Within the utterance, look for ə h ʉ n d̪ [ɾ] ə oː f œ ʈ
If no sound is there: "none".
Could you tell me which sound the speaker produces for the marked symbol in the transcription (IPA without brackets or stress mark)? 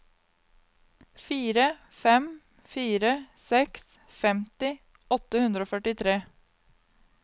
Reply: ɾ